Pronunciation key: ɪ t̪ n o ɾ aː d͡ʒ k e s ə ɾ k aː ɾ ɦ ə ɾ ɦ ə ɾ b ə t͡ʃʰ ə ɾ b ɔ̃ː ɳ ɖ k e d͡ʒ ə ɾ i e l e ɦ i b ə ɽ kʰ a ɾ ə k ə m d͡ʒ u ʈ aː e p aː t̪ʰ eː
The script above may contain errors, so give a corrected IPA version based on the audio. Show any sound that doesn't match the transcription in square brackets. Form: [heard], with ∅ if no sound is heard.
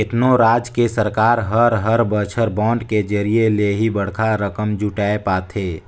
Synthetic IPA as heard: ɪ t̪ n o ɾ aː d͡ʒ k e s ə ɾ k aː ɾ ɦ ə ɾ ɦ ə ɾ b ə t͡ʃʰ ə ɾ b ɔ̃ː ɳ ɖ k e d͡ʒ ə ɾ i e l e ɦ i b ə ɽ kʰ a ɾ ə k ə m d͡ʒ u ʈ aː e p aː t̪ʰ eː